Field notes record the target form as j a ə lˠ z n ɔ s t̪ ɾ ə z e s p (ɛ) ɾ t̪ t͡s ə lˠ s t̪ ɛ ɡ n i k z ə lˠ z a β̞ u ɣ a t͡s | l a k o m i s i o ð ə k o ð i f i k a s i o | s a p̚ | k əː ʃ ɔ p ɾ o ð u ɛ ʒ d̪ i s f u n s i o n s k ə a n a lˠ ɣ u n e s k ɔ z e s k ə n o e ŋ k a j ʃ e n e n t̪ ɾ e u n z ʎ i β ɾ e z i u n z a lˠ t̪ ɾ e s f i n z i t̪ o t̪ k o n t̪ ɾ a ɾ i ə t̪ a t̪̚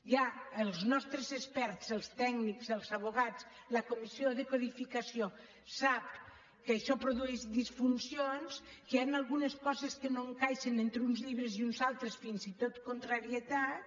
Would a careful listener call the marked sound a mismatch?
no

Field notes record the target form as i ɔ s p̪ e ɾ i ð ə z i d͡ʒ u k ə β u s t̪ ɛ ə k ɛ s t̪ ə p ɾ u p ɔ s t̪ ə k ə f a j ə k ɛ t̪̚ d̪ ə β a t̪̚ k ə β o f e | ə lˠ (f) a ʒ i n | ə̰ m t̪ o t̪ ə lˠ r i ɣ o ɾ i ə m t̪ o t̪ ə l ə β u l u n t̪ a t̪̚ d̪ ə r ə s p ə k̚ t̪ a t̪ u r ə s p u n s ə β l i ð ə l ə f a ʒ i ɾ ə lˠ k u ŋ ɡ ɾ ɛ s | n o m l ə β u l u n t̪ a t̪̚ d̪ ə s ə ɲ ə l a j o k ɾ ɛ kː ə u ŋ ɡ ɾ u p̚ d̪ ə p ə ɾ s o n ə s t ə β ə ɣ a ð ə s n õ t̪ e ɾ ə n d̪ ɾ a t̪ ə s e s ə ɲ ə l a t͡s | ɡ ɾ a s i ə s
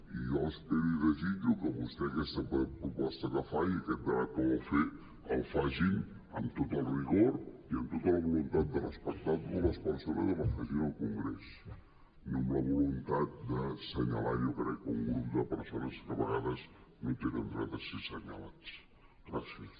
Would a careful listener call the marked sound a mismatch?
no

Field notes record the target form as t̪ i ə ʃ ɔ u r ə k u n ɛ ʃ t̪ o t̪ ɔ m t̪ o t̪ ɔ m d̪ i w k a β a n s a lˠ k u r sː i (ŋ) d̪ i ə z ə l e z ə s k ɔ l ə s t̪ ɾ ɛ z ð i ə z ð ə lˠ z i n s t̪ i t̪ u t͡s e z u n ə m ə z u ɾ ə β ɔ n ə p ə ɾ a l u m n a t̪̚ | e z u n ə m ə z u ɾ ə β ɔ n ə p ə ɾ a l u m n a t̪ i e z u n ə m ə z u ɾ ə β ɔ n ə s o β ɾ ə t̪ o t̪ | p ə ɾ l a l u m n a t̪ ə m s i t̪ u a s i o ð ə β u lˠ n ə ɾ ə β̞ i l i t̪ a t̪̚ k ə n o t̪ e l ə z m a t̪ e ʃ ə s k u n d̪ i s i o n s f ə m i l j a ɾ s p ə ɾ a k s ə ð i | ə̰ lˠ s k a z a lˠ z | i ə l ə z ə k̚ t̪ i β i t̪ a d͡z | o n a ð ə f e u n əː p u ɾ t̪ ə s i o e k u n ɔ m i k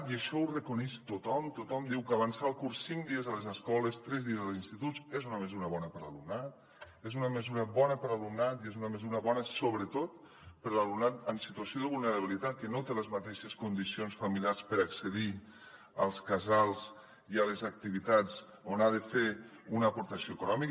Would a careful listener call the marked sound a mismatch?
no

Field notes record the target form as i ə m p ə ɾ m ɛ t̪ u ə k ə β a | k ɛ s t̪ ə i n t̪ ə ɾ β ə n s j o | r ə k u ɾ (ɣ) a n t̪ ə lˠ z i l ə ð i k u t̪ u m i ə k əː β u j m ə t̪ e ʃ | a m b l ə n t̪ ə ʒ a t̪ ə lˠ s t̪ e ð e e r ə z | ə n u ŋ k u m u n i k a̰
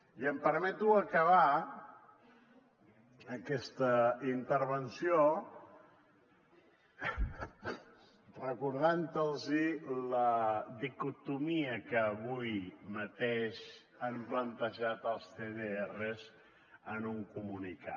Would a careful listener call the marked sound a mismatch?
yes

